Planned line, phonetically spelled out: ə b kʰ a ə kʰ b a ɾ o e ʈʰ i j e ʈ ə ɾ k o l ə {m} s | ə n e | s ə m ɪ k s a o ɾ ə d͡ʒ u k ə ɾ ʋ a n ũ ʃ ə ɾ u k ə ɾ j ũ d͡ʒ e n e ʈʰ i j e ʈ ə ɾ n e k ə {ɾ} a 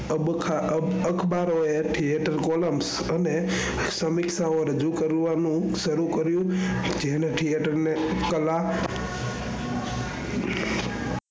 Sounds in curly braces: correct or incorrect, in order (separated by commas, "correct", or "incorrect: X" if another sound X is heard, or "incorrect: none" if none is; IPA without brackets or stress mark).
correct, incorrect: l